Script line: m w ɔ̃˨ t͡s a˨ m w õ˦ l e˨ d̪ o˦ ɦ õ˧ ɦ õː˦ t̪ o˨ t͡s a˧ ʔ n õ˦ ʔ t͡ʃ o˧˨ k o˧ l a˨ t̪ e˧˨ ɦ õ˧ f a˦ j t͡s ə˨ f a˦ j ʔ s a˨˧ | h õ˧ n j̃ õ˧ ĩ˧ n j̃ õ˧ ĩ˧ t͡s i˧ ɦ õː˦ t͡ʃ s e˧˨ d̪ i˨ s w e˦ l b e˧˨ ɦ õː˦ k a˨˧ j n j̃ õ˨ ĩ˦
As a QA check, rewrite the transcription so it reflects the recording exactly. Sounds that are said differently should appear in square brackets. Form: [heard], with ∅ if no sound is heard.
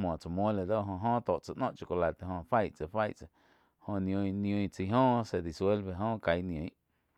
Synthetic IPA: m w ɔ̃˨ t͡s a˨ m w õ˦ l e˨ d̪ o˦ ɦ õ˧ ɦ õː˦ t̪ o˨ t͡s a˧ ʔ n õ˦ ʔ t͡ʃ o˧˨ k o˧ l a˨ t̪ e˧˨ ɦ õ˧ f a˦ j t͡s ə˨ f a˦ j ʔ [t͡s] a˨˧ | h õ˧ n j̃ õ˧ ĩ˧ n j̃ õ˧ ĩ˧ t͡s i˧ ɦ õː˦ [∅] s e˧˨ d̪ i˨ s w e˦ l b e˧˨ ɦ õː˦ k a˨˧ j n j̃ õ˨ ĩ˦